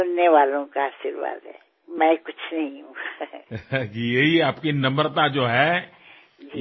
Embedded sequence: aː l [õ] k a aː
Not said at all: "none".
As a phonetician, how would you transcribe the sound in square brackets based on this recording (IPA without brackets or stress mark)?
õ